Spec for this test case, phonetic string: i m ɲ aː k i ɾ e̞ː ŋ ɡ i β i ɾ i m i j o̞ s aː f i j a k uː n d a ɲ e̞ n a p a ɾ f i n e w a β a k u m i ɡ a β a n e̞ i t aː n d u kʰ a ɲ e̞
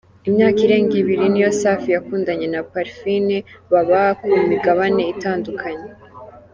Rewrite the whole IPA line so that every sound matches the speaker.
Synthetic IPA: i m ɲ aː k i ɾ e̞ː ŋ ɡ i β i ɾ i n i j o̞ s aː f i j a k uː n d a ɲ e̞ n a p a ɾ f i n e β a β a k u m i ɡ a β a n e̞ i t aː n d u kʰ a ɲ e̞